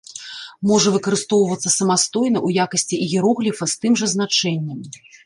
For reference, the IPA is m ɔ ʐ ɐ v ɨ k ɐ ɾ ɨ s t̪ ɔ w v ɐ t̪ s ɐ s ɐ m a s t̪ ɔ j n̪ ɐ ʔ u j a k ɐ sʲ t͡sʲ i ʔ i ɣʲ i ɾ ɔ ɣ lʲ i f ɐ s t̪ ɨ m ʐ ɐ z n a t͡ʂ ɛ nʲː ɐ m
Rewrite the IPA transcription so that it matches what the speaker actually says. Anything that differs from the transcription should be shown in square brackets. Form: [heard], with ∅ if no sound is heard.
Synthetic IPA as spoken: m ɔ ʐ ɐ v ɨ k ɐ ɾ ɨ s t̪ ɔ w v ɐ t̪ [sː] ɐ s ɐ m a s t̪ ɔ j n̪ ɐ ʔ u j a k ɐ sʲ t͡sʲ i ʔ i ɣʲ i ɾ ɔ ɣ lʲ i f ɐ s t̪ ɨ m ʐ ɐ z n a t͡ʂ ɛ nʲː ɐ m